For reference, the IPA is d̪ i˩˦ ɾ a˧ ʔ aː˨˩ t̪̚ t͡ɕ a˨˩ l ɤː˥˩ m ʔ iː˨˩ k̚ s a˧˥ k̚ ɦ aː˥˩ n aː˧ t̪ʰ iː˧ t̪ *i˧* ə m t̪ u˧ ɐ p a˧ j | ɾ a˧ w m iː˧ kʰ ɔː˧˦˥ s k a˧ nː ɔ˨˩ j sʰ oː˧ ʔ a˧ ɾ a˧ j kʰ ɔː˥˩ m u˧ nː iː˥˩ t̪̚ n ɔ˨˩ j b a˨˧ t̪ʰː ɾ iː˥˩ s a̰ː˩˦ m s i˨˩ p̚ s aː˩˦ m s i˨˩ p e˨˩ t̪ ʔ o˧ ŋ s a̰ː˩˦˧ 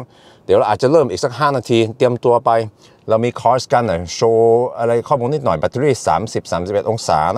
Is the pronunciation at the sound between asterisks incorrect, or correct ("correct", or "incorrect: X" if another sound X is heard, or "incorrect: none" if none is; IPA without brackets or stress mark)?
correct